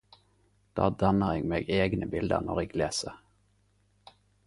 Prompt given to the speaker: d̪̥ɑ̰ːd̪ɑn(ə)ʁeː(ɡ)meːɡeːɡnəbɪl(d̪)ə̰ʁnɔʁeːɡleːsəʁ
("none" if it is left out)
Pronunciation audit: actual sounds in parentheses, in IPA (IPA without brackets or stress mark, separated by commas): ə, ɡ, d̪